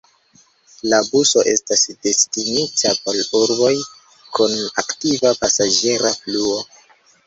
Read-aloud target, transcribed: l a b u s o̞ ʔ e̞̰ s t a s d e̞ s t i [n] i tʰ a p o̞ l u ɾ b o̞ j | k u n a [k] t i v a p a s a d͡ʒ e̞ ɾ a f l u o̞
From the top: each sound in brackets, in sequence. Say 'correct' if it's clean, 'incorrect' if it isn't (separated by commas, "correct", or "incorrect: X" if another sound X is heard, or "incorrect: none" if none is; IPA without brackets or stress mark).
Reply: correct, correct